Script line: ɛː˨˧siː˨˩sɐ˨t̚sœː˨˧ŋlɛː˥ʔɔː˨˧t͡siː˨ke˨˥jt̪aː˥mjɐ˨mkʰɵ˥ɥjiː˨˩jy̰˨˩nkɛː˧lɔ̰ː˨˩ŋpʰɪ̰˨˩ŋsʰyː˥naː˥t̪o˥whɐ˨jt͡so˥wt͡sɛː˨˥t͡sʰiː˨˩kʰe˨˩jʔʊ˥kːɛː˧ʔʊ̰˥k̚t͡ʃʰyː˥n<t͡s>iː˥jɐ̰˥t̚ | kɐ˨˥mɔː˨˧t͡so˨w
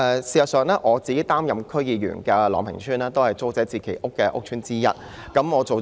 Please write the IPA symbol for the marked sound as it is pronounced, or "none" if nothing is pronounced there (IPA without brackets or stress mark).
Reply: t͡s